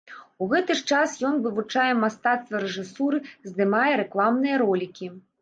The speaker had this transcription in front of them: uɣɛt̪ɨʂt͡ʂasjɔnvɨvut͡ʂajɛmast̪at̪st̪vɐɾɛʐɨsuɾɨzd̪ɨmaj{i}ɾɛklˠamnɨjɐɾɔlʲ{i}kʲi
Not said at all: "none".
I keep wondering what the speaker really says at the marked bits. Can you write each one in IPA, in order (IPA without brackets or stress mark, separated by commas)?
ɛ, i